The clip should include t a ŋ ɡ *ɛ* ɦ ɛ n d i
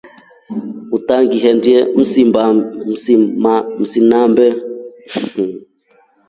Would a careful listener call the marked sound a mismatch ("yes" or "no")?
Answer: yes